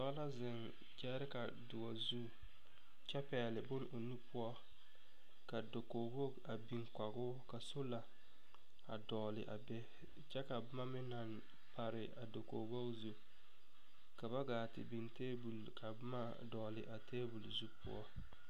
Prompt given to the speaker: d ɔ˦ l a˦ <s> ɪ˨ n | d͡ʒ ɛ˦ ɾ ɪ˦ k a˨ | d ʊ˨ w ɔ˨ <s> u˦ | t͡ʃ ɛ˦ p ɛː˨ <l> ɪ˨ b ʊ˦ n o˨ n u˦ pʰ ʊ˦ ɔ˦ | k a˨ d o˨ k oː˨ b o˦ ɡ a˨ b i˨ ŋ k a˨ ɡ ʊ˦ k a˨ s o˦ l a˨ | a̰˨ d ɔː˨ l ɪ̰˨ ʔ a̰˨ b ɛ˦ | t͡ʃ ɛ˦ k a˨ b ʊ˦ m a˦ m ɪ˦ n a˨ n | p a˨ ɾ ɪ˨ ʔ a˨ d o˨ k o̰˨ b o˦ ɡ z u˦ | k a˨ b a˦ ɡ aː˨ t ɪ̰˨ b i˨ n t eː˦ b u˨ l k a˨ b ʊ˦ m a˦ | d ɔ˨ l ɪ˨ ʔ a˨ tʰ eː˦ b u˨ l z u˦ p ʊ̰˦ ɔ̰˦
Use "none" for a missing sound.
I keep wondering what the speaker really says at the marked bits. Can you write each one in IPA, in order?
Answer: z, z, l

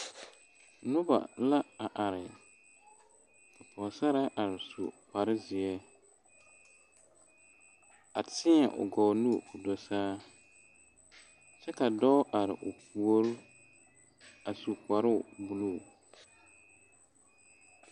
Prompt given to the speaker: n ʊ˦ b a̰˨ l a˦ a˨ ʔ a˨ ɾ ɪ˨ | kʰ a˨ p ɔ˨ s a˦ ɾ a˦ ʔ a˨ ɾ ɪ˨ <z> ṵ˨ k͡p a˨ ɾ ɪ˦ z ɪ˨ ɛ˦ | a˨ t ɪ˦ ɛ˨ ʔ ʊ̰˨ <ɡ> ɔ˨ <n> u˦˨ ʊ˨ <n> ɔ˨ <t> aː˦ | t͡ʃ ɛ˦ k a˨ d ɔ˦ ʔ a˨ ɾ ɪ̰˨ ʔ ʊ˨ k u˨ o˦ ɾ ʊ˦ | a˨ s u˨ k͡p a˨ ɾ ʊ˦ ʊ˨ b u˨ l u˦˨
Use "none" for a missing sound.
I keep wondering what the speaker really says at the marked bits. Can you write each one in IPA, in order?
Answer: s, ɡ, n, d, s

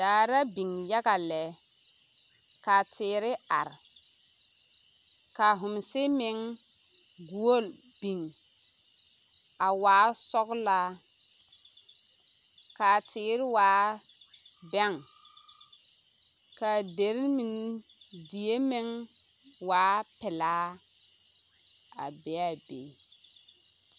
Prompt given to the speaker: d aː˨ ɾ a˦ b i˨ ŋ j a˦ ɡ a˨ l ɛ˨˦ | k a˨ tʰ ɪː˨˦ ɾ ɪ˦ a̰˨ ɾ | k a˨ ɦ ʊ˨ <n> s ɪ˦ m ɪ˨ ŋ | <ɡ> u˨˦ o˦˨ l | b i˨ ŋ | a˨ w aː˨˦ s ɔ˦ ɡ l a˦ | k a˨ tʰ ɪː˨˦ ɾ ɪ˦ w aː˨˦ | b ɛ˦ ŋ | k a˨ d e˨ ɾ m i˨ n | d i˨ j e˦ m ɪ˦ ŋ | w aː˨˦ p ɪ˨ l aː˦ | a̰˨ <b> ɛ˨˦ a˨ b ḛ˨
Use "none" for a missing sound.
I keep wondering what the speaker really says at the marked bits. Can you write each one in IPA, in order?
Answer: m, ɡ, b

